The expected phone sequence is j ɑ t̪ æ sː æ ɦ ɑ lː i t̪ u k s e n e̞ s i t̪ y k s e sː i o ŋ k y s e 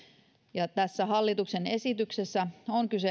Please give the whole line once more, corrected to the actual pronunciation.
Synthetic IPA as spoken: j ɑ t̪ æ sː æ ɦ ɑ lː i t̪ u k s e n e̞ s i t̪ y k s e sː æ o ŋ k y s e